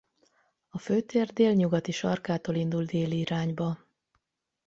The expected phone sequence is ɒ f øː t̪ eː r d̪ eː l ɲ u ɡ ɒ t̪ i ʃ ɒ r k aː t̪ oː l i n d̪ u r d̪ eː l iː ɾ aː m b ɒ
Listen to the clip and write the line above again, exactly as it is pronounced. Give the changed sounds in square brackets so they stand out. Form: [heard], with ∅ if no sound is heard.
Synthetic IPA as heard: ɒ f øː t̪ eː r d̪ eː l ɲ u ɡ ɒ t̪ i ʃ ɒ r k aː t̪ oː l i n d̪ u [l] d̪ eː l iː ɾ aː [ɲ] b ɒ